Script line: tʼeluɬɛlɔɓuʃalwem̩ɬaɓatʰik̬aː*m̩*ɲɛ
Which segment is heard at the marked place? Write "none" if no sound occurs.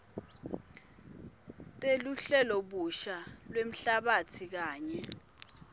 none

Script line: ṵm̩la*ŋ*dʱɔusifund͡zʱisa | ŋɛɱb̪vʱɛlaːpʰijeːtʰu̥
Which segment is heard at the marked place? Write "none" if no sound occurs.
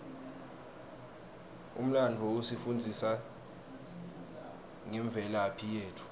n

